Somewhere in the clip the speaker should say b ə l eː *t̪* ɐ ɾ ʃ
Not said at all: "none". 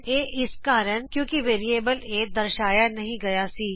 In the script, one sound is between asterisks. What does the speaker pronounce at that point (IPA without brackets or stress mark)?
d̪